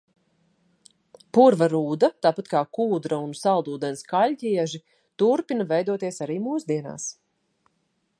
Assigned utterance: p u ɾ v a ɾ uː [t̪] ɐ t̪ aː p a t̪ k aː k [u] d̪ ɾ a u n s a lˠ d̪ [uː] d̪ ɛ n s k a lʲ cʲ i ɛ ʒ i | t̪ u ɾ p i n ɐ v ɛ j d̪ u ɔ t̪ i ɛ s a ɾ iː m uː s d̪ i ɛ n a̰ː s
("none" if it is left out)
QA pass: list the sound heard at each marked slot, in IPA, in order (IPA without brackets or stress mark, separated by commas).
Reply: d̪, uː, uː